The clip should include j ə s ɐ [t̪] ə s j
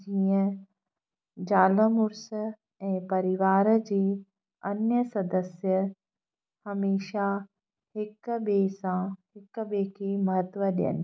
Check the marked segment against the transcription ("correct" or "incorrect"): incorrect